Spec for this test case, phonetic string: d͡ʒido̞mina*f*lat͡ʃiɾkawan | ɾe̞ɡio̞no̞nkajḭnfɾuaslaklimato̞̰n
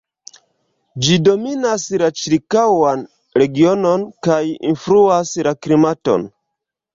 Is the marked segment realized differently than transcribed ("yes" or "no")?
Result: yes